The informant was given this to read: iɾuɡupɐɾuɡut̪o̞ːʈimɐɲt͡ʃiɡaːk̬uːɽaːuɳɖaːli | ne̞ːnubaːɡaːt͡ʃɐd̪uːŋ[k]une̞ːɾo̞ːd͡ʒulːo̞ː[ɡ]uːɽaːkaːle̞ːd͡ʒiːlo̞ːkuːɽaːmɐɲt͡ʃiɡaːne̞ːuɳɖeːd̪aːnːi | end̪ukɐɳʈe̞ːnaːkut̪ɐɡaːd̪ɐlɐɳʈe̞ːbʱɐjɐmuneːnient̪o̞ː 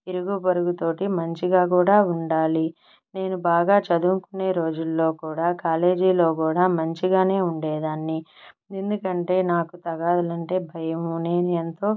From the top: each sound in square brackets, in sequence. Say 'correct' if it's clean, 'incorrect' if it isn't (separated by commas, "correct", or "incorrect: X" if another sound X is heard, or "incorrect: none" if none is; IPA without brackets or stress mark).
correct, incorrect: k